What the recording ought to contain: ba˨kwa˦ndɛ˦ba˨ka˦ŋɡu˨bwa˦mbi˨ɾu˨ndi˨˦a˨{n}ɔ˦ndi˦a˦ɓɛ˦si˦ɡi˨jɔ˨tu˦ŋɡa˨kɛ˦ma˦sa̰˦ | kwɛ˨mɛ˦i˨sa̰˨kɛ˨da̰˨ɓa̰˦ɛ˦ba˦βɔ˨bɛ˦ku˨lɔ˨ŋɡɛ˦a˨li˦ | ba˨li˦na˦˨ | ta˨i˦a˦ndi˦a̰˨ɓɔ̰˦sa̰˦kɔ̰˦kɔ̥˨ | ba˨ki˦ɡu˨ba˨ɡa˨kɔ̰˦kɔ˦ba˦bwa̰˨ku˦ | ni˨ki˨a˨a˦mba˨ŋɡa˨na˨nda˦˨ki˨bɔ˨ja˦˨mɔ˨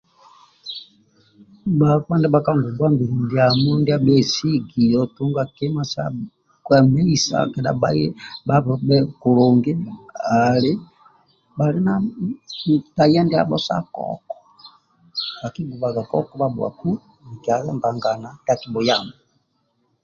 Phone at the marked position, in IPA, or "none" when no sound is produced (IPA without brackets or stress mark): m